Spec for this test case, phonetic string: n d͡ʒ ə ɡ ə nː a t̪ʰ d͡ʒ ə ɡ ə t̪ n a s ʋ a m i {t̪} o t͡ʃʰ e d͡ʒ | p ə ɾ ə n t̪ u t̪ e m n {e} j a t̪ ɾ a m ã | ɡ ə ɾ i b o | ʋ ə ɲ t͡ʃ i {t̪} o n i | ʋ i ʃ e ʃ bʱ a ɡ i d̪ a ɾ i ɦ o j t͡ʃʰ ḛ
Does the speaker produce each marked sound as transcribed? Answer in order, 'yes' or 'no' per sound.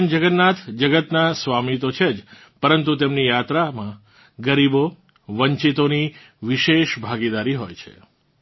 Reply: yes, no, yes

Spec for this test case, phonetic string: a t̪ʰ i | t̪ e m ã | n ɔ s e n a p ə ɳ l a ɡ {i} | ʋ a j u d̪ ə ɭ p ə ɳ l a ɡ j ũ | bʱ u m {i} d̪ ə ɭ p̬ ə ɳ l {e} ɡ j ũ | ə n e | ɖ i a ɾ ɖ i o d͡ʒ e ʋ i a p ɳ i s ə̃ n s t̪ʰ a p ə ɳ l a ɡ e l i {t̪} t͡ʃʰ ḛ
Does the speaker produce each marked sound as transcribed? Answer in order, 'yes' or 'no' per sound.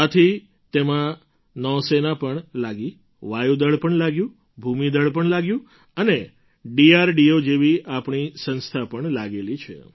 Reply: yes, yes, no, no

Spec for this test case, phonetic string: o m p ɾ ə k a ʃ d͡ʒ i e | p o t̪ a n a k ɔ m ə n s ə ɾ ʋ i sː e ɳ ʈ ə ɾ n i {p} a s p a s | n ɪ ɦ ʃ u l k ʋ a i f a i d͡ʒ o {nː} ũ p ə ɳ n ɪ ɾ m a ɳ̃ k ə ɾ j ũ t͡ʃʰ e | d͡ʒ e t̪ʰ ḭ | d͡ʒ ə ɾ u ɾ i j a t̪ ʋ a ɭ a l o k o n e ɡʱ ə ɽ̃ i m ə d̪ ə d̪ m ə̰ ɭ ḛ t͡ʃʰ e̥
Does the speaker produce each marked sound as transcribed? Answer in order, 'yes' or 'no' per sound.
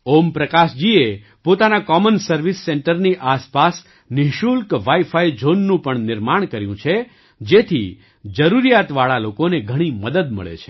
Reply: no, yes

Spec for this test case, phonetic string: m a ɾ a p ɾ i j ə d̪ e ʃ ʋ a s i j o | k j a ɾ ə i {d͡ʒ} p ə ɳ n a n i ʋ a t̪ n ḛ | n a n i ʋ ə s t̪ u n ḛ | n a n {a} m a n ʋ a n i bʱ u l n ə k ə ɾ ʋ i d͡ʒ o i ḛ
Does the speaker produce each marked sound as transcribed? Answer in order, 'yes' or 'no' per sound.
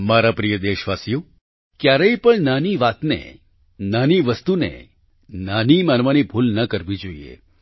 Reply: no, no

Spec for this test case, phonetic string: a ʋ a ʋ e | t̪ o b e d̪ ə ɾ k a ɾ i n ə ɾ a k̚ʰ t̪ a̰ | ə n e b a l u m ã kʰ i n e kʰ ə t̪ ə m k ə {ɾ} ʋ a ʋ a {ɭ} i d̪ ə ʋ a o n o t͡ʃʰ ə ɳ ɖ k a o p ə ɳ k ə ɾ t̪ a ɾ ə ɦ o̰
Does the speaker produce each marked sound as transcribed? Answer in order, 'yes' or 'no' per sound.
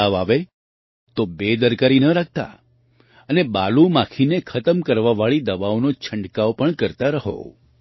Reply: yes, yes

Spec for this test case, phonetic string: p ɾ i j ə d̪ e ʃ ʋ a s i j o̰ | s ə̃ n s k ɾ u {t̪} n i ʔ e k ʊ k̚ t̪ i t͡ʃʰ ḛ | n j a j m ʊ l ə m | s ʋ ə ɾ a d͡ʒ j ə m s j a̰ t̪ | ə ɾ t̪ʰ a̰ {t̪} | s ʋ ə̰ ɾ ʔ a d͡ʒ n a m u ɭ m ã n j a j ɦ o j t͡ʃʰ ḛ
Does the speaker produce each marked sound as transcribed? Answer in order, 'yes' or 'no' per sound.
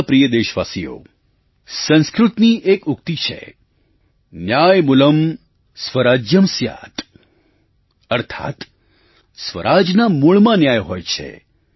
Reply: yes, yes

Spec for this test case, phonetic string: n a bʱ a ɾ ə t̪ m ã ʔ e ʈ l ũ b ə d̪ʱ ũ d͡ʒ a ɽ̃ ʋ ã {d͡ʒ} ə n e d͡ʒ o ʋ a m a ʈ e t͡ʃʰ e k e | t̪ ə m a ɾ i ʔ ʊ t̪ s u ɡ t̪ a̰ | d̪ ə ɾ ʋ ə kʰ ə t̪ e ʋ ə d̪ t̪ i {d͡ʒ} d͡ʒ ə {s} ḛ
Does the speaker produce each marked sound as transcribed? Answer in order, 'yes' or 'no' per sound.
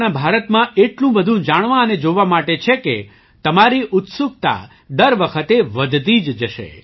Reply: no, yes, no

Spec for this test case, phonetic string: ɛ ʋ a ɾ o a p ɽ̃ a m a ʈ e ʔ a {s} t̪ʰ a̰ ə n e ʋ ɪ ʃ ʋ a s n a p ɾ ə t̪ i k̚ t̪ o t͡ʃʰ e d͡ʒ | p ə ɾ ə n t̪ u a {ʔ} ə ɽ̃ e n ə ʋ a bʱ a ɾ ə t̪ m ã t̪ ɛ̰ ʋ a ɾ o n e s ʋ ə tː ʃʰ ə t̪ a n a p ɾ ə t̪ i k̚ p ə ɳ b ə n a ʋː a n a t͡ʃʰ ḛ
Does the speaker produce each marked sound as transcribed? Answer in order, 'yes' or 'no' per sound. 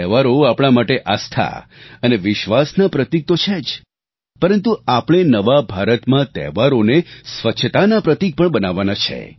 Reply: yes, no

